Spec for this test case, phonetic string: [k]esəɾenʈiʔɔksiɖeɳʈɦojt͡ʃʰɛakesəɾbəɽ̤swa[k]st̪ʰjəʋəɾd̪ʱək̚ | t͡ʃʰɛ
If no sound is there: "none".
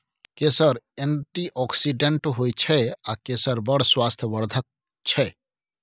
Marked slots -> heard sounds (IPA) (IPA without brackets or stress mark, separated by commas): k, none